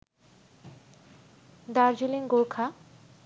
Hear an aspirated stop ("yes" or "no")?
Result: yes